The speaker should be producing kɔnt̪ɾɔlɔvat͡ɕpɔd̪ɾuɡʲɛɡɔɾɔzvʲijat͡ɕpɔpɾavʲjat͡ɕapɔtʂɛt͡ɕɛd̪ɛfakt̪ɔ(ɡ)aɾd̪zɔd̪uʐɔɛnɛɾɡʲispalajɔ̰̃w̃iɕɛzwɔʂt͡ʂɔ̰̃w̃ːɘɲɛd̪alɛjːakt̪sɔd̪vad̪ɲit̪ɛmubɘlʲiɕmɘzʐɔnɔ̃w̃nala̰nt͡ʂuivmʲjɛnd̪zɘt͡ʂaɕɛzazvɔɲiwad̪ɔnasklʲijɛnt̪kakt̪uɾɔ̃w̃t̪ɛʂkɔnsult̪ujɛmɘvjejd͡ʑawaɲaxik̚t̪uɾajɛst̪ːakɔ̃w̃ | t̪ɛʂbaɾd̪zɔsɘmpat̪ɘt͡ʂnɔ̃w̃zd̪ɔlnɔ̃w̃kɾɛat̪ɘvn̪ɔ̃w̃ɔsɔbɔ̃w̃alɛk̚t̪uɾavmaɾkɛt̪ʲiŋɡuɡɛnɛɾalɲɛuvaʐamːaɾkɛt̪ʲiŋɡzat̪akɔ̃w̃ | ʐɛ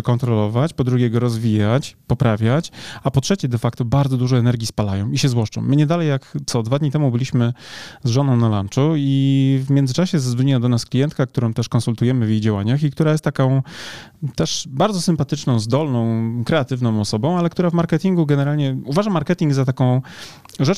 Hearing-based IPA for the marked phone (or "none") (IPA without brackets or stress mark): b